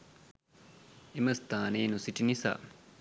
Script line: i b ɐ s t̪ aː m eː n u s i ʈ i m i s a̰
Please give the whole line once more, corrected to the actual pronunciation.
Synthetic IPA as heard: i m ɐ s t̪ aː n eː n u s i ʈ i n i s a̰